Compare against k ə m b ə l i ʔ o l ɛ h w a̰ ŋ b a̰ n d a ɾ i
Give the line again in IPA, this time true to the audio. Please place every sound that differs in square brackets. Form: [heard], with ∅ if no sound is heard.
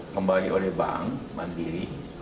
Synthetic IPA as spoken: k ə m b [a] l i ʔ o l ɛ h [b] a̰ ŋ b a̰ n d [i] ɾ i

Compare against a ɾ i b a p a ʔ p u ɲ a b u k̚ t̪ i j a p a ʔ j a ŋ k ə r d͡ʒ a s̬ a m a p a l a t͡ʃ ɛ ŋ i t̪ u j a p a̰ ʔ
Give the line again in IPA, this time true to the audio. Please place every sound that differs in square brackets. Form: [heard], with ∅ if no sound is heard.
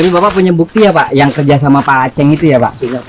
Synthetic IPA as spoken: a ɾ i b a p a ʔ p u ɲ a b u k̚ t̪ i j a p a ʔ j a ŋ k ə r d͡ʒ a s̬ a m a p a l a t͡ʃ ɛ ŋ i t̪ u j a p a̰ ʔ

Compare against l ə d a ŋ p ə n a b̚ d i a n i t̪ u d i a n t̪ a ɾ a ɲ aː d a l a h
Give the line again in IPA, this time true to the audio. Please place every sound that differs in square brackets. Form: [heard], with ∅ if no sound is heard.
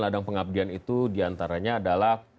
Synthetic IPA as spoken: l [a] d a ŋ p ə [ŋ] a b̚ d i a n i t̪ u d i a n t̪ a ɾ a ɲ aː d a l a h

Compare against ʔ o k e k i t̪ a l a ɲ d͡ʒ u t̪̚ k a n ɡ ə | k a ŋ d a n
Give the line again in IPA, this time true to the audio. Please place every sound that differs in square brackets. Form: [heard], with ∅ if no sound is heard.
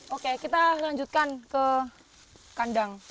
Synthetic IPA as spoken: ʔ o k e k i t̪ a l a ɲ d͡ʒ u t̪̚ k a n [k] ə | k a [n] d a [ŋ]

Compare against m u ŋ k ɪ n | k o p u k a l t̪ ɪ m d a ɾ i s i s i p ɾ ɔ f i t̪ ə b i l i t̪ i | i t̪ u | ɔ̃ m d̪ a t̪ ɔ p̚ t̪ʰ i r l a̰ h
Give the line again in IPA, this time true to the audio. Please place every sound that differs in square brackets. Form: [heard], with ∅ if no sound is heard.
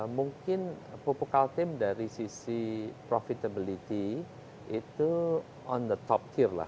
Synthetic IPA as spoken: m u ŋ k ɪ n | [p] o p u k a l t̪ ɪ m d a ɾ i s i s i p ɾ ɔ f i t̪ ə b i l i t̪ i | i t̪ u | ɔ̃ [n] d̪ [ə] t̪ ɔ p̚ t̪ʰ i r l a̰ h

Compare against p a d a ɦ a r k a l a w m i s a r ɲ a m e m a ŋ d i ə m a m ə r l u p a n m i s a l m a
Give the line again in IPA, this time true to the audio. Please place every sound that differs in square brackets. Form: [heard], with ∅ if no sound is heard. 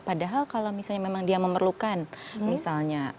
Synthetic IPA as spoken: p a d a ɦ a [l] k a l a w m i s a [l] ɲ a m e m a ŋ d i [a] m [ə] m ə r l u [k] a n m i s a l [ɲ] a

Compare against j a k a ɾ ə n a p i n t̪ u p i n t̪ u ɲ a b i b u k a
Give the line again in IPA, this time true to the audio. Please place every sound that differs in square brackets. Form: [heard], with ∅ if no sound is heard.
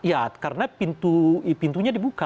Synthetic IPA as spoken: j a k a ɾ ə n a p i n t̪ u p i n t̪ u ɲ a [d] i b u k a

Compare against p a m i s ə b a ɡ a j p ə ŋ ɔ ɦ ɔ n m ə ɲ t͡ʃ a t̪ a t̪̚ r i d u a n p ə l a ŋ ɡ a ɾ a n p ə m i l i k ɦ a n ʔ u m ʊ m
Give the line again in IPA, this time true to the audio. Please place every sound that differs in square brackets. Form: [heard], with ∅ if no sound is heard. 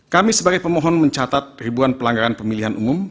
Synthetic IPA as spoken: [k] a m i s ə b a ɡ a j p ə [m] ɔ ɦ ɔ n m ə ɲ t͡ʃ a t̪ a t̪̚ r i [b] u a n p ə l a ŋ ɡ a ɾ a n p ə m i l i [∅] ɦ a n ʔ u m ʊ m

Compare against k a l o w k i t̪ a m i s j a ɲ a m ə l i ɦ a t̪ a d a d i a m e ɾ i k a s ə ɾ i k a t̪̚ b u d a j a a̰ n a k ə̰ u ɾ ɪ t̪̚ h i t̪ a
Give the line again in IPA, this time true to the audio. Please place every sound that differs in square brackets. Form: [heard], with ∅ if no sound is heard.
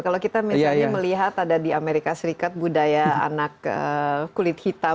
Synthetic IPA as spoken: k a l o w k i t̪ a m i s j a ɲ a m ə l i ɦ a t̪ a d a d i a m e ɾ i k a s ə ɾ i k a t̪̚ b u d a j a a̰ n a k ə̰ u [l] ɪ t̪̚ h i t̪ a

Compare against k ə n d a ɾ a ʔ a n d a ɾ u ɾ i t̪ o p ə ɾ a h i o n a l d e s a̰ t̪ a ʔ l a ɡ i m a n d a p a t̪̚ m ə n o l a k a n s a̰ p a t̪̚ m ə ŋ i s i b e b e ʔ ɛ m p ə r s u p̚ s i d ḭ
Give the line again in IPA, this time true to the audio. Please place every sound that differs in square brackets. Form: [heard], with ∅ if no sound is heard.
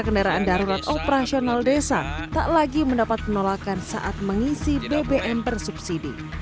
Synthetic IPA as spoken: k ə n d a ɾ a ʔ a n d a ɾ u ɾ [a] t̪ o p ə ɾ a [s] i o n a l d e s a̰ t̪ a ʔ l a ɡ i m [ə] n d a p a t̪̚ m ə n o l a k a n s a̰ [ʔ] a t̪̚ m ə ŋ i s i b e b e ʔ ɛ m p ə r s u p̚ s i d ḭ

